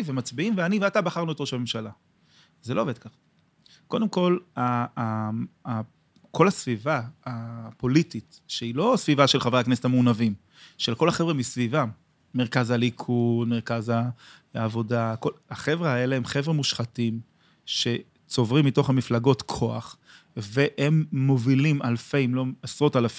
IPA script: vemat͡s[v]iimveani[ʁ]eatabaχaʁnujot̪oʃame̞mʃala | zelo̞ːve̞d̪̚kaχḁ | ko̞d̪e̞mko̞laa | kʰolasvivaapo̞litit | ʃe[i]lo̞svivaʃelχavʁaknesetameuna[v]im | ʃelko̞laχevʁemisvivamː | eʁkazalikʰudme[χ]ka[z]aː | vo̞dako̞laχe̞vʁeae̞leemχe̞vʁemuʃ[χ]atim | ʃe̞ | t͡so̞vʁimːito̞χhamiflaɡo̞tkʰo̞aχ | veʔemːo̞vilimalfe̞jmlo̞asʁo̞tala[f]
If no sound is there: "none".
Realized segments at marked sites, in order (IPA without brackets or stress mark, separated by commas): b, v, i, v, ʁ, z, χ, f